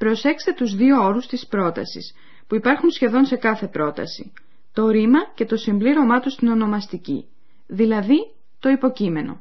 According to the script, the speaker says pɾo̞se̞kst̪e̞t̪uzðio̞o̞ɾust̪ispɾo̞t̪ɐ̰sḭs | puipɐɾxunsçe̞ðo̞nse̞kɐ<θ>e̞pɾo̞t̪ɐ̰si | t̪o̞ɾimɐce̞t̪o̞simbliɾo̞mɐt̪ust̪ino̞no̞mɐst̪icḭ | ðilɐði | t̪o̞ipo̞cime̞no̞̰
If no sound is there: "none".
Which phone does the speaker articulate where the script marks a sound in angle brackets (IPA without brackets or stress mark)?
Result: θ